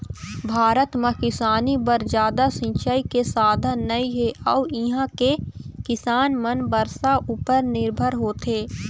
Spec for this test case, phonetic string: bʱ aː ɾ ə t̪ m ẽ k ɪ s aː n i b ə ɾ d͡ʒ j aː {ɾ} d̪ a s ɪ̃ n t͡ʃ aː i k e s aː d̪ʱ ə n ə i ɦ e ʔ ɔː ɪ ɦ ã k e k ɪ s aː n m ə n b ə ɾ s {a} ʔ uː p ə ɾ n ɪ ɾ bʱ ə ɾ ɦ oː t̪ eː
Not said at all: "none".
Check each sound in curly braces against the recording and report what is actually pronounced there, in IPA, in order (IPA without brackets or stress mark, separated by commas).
none, a